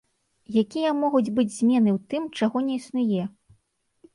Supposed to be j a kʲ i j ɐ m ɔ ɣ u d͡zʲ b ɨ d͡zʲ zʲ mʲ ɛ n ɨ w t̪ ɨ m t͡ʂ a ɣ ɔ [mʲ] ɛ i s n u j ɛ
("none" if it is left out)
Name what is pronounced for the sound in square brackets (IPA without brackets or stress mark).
nʲ